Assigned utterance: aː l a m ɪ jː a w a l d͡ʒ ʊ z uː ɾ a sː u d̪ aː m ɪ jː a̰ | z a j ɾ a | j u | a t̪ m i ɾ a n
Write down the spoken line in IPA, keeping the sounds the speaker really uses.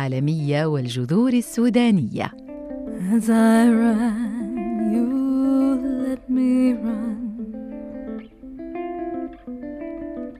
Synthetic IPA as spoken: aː l a m ɪ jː a w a l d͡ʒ ʊ ð uː ɾ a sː uː d̪ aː n ɪ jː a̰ | z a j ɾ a | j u | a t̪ m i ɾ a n